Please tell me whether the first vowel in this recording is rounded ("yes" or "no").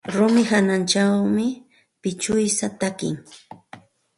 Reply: yes